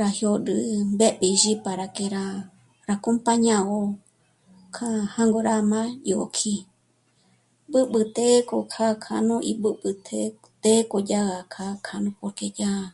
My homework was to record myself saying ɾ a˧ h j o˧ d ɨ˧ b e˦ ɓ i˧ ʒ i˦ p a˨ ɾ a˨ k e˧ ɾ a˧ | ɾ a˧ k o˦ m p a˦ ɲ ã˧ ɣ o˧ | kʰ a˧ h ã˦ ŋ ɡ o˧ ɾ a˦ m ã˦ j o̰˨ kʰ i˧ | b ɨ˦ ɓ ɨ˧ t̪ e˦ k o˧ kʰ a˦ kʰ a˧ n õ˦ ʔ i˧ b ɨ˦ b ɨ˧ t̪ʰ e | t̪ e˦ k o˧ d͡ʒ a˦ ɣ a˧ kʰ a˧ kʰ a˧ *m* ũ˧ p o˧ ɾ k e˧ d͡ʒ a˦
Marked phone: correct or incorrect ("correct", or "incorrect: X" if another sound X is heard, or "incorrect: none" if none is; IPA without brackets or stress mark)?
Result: incorrect: n